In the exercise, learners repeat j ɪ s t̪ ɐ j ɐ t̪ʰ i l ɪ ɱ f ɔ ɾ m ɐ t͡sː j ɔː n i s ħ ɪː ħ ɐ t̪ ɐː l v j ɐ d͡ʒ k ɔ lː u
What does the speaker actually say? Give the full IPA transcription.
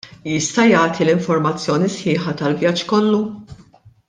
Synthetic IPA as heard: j ɪ s t̪ ɐ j ɐː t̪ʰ i l ɪ ɱ f ɔ ɾ m ɐ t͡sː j ɔː n i s ħ ɪː ħ ɐ t̪ ɐ l v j ɐ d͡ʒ k ɔ lː u